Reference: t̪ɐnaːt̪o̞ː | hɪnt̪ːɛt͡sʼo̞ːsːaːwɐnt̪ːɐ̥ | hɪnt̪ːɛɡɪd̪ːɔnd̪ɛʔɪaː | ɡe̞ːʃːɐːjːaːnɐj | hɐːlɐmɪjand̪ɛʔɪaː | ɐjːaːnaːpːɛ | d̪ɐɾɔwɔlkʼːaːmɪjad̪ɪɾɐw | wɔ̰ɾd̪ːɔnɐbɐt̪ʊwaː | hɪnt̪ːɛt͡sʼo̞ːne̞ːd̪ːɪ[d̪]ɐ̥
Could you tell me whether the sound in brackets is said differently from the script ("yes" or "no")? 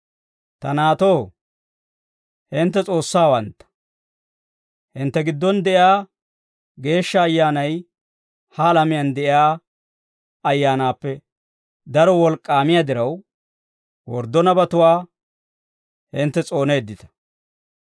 yes